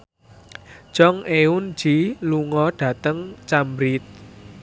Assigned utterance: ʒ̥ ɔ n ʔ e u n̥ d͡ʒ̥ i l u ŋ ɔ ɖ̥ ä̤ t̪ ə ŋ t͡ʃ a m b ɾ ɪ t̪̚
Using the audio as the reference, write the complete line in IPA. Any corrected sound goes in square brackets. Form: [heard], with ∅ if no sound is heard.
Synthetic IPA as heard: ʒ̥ ɔ [ŋ] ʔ e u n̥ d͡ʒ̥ i l u ŋ ɔ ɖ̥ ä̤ t̪ ə ŋ t͡ʃ a m b ɾ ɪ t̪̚